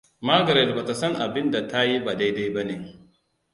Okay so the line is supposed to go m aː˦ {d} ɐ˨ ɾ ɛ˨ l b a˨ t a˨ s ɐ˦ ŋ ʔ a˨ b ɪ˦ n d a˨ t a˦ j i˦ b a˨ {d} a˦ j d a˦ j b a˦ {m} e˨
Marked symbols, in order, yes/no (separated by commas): no, yes, no